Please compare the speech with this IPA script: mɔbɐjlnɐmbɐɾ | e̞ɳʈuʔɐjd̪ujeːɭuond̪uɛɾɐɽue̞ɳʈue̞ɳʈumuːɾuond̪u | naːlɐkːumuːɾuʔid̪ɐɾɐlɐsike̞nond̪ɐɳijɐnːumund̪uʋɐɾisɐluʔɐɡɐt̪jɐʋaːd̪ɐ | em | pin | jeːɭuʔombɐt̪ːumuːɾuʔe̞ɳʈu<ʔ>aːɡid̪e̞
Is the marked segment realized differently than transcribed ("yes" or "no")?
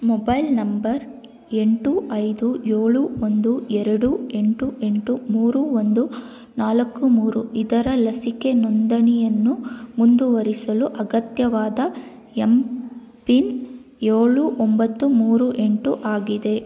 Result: no